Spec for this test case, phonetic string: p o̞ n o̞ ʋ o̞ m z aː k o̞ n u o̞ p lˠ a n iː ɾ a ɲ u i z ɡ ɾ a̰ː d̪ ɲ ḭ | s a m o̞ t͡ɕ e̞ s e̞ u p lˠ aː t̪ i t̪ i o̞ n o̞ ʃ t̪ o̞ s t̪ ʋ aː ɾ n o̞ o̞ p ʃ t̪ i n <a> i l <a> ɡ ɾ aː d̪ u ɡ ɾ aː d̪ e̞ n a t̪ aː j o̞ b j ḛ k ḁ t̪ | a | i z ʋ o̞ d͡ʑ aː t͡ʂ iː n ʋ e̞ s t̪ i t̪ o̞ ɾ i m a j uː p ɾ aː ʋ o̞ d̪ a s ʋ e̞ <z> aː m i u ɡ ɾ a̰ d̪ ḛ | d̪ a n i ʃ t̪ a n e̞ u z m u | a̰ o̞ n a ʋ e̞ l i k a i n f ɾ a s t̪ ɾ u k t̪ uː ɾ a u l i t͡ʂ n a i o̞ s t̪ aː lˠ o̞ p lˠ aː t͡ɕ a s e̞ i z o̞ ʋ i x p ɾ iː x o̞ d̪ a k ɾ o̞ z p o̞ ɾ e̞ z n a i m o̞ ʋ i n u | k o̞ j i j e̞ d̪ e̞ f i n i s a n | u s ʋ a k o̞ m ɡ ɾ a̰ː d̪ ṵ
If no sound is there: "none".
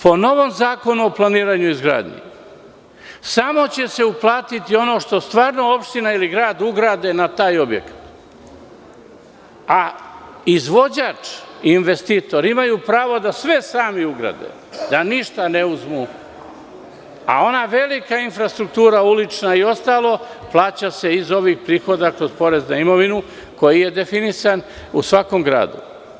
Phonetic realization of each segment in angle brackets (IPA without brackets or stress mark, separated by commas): a, i, s